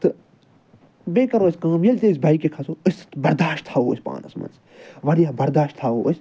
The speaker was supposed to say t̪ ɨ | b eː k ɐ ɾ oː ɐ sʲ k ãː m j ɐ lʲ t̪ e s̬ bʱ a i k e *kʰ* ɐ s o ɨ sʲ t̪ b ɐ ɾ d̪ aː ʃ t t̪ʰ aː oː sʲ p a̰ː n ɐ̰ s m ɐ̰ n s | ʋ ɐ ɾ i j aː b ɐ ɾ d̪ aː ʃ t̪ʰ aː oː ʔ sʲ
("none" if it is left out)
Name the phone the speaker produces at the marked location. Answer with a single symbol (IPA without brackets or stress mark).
kʰ